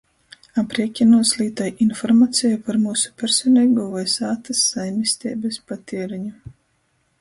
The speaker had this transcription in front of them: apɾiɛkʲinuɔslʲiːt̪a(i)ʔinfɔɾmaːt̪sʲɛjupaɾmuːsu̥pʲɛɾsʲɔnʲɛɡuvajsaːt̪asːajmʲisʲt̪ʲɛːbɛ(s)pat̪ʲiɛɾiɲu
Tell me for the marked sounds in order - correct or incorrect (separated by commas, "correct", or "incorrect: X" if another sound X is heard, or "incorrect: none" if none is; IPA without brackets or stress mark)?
incorrect: j, correct